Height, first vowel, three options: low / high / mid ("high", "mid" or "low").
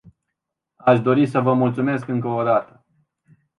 low